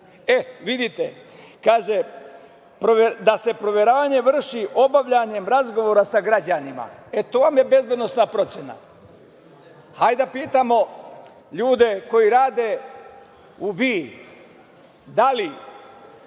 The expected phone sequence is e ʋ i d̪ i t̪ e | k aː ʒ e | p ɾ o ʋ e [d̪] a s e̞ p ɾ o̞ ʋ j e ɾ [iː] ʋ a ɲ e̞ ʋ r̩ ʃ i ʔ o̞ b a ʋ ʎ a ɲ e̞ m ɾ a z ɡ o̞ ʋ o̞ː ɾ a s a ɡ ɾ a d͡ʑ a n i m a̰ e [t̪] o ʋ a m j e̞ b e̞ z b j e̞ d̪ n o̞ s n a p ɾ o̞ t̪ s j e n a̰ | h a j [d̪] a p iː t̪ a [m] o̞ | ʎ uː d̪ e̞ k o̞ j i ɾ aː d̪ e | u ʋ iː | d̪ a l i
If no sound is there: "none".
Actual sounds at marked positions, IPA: d̪, aː, t̪, d̪, m

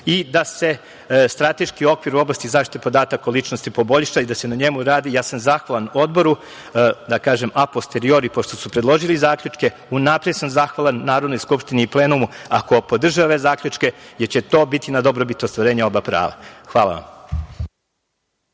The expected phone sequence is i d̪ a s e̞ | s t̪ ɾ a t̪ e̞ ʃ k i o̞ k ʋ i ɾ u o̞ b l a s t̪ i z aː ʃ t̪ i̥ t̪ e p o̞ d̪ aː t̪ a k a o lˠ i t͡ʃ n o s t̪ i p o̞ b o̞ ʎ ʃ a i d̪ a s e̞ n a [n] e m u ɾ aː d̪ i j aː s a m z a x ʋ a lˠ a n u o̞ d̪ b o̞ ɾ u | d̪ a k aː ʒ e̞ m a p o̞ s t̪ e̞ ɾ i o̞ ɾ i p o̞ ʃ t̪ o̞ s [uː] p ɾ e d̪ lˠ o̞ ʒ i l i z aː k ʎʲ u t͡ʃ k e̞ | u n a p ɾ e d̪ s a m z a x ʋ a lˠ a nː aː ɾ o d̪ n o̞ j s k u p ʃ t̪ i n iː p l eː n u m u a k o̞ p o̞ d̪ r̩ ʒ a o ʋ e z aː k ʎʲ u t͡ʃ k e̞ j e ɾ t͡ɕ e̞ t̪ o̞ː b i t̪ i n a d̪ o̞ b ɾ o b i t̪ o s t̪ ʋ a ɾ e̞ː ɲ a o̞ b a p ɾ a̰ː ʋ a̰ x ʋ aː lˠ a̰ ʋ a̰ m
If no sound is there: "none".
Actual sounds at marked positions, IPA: ɲ, u

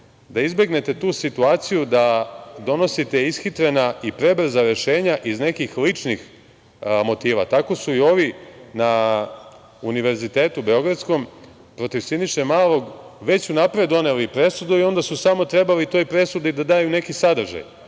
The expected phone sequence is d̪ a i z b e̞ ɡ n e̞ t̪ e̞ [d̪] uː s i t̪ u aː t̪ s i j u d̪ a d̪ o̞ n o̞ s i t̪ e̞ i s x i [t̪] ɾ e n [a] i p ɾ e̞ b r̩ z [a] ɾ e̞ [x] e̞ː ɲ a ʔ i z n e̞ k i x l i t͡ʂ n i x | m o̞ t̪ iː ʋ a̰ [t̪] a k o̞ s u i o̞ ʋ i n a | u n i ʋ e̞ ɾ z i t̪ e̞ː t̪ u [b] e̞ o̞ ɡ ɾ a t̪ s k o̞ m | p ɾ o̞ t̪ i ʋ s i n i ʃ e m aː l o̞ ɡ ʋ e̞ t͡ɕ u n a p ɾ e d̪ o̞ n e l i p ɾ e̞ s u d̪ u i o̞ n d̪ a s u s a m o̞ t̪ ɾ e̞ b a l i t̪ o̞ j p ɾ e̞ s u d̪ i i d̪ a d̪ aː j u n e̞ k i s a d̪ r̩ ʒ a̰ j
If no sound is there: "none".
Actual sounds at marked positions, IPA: t̪, t̪, a, a, ʃ, t̪, b

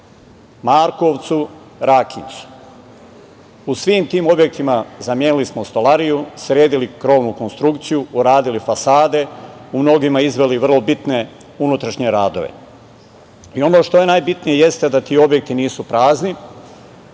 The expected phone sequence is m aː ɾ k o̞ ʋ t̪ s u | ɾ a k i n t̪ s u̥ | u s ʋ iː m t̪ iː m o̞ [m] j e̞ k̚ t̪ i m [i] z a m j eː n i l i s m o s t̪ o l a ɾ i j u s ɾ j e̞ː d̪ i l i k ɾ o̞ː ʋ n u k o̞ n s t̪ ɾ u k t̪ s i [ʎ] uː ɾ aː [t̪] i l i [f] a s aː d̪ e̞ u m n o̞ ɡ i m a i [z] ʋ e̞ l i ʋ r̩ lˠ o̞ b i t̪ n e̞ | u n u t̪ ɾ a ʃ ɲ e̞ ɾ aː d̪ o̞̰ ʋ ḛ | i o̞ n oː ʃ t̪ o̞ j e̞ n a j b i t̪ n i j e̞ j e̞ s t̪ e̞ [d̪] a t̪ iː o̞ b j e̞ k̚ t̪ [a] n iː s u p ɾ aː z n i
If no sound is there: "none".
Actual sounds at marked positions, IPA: b, a, j, d̪, f, z, d̪, i

